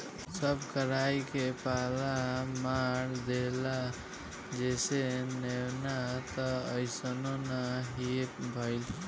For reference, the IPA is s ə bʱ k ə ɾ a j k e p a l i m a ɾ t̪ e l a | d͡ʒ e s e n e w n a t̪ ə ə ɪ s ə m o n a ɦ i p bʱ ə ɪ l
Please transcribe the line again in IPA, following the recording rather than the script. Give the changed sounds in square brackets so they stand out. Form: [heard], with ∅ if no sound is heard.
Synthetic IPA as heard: s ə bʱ k ə ɾ a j k e p a l [a] m a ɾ [d̪] e l a | d͡ʒ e s e n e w n a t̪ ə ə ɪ s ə [n] o n a ɦ i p bʱ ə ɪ l